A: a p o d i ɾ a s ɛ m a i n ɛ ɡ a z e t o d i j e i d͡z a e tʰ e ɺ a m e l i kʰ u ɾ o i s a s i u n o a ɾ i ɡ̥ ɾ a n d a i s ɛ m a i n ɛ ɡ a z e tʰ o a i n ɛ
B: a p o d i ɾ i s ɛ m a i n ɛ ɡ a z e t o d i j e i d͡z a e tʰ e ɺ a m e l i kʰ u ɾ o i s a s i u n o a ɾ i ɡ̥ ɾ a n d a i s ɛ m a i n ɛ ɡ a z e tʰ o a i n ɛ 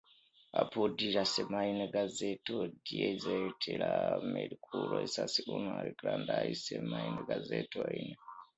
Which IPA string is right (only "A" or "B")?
A